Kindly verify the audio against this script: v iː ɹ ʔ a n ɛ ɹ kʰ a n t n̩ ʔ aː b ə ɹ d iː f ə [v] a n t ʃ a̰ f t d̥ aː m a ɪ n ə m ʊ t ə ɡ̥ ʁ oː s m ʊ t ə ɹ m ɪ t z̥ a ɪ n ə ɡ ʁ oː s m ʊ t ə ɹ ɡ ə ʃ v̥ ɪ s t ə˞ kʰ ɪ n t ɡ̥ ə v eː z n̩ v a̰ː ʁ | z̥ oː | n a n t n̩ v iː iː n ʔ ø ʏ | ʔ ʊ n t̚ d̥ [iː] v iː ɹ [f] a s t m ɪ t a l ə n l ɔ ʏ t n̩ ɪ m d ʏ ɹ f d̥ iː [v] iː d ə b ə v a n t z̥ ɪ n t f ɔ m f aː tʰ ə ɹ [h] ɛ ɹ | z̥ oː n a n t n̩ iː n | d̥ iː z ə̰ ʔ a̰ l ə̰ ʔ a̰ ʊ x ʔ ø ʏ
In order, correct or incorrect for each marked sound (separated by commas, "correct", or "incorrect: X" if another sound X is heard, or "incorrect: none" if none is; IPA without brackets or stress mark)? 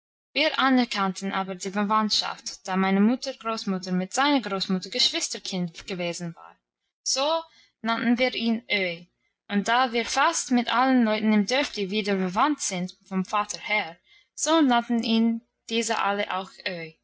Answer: correct, incorrect: aː, correct, correct, correct